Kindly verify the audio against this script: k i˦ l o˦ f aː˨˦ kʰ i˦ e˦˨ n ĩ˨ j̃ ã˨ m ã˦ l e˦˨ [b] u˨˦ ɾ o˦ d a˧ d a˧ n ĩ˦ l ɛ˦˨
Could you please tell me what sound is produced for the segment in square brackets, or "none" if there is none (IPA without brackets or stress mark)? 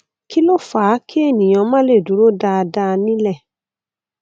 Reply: d